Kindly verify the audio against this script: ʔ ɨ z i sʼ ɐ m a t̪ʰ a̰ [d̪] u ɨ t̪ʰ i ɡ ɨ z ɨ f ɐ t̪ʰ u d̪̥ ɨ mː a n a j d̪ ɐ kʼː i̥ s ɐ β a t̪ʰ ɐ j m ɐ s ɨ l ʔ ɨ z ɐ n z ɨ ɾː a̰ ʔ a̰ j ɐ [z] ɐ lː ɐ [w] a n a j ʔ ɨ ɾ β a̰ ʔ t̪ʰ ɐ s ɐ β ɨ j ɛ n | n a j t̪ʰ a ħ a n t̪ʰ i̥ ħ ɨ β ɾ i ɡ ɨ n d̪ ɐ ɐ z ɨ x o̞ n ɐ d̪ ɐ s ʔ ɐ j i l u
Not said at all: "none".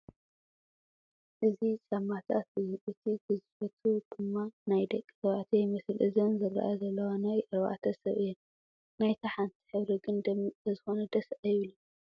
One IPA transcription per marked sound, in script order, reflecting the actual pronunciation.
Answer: t̪, z, w

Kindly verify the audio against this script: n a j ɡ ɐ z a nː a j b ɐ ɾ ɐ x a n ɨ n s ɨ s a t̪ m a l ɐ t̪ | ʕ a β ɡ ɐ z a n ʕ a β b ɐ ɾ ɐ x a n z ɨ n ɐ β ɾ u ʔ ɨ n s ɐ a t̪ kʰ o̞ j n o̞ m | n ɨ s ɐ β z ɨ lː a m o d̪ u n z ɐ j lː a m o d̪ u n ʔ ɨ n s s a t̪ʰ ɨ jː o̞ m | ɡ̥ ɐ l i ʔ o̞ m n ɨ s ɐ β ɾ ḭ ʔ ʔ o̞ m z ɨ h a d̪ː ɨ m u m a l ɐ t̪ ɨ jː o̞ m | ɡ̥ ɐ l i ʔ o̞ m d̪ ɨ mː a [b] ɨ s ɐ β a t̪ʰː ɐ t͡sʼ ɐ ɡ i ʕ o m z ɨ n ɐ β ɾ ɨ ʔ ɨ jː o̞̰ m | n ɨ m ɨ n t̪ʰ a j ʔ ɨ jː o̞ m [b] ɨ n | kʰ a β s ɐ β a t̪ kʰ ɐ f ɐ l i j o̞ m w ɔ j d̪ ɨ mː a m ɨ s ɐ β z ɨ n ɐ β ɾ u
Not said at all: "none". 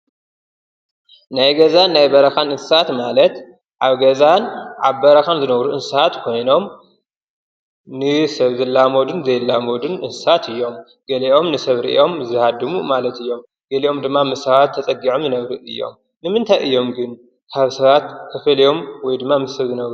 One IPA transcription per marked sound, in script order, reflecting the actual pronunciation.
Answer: m, ɡ

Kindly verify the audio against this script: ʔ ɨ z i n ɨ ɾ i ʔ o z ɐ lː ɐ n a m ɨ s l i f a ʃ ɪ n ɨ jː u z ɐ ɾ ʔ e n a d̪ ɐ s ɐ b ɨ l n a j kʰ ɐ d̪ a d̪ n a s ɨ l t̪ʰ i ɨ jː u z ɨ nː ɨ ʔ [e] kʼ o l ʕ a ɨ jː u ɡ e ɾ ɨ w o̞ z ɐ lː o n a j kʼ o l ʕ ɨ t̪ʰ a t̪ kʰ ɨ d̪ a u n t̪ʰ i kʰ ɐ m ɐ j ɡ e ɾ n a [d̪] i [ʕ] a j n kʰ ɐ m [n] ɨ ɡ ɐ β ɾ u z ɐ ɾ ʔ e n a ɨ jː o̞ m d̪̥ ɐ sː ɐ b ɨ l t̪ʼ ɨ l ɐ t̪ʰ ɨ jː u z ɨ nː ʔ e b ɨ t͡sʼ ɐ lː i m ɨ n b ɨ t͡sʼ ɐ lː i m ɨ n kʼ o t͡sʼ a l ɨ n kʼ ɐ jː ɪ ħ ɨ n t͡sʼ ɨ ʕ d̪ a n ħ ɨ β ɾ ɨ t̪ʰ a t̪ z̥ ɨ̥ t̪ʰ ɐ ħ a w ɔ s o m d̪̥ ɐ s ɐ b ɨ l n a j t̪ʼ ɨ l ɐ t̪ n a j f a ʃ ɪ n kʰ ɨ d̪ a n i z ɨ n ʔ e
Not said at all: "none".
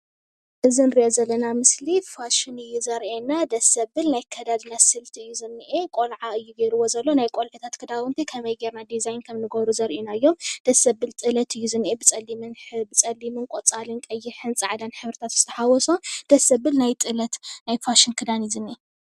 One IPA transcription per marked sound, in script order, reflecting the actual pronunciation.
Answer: e, d̪, z, n

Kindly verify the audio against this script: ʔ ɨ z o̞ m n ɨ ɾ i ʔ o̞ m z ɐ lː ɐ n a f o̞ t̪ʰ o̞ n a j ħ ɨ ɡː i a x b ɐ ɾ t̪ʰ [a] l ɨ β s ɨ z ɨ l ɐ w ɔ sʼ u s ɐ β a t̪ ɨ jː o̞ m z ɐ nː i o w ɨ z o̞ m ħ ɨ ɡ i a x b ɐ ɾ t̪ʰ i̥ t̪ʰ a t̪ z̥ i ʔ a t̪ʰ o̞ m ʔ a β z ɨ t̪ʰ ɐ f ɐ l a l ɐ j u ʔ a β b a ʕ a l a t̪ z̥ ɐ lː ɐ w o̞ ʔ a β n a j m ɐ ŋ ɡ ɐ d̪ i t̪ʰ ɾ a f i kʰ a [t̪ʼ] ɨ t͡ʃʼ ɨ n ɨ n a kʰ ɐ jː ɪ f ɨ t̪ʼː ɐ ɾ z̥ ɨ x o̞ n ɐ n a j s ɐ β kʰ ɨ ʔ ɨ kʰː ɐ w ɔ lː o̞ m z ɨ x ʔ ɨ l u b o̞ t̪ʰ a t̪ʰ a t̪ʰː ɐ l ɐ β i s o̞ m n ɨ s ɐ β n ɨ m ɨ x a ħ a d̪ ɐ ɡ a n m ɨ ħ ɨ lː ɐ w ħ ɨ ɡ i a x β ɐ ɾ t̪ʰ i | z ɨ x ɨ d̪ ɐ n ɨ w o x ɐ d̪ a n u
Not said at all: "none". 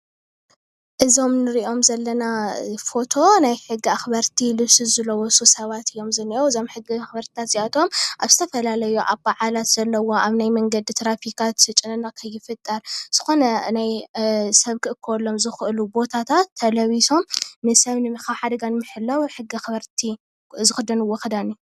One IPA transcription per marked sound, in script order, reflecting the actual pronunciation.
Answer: i, t̪

